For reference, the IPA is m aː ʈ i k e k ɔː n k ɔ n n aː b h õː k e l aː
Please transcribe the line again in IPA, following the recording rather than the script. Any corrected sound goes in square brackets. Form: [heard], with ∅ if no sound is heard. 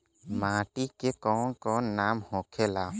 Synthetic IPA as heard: m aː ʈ i k e k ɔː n k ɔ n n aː [m] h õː [kʰ] e l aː